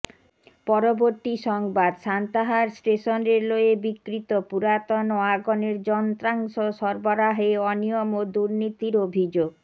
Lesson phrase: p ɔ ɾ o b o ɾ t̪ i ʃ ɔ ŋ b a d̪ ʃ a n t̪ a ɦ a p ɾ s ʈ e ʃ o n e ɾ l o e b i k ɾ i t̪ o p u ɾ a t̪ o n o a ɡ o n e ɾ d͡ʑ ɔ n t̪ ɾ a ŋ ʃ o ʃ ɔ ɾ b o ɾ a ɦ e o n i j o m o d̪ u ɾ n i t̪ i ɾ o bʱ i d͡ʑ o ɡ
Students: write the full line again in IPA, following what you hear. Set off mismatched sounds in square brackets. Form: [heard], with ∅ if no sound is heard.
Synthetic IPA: p ɔ ɾ o b o ɾ t̪ i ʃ ɔ ŋ b a d̪ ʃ a n t̪ a ɦ a [∅] ɾ s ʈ e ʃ o n e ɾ l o e b i k ɾ i t̪ o p u ɾ a t̪ o n o a ɡ o n e ɾ d͡ʑ ɔ n t̪ ɾ a ŋ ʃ o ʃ ɔ ɾ b o ɾ a ɦ e [ɔ] n i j o m o d̪ u ɾ n i t̪ i ɾ o bʱ i d͡ʑ o ɡ